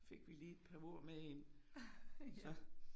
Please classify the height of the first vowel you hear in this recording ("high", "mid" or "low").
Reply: mid